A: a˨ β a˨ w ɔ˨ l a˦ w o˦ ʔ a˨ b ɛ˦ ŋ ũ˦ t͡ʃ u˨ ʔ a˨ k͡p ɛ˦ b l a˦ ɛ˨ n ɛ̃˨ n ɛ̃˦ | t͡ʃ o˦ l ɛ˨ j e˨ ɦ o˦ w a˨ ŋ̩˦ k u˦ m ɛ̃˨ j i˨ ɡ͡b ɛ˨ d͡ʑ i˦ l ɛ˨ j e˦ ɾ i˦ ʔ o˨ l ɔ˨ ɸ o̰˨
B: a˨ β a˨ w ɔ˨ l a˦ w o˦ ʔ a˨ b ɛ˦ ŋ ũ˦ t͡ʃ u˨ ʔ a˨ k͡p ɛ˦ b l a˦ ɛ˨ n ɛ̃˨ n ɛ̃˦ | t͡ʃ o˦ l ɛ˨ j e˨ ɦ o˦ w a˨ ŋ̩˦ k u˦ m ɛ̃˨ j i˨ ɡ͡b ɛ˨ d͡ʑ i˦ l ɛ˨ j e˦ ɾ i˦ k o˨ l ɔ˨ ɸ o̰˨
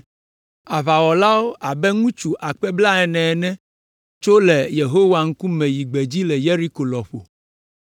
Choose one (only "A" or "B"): B